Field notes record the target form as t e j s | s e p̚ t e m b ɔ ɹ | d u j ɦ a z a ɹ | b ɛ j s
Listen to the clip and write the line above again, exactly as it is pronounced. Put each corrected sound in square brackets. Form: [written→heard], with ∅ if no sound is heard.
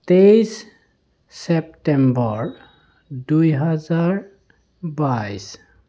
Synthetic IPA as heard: t e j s | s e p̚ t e m b ɔ ɹ | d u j ɦ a z a ɹ | b [ɛ→a] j s